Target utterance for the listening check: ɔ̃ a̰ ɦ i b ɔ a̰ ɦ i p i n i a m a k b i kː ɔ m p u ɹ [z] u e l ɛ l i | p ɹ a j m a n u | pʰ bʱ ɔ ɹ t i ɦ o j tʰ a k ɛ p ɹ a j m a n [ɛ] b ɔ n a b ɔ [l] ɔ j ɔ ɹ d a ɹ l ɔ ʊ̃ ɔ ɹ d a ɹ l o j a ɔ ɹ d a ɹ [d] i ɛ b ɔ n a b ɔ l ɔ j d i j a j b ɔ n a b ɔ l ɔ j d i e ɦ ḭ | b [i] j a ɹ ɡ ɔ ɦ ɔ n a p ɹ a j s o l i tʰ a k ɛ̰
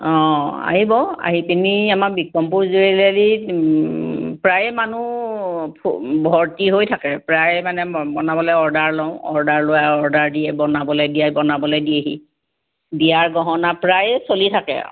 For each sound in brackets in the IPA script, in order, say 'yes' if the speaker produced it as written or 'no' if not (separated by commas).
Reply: yes, yes, yes, yes, yes